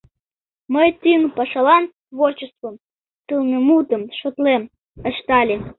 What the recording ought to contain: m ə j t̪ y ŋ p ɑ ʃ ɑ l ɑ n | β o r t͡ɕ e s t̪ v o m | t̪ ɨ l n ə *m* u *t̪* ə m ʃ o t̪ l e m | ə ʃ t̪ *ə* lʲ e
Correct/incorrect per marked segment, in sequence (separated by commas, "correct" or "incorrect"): correct, correct, incorrect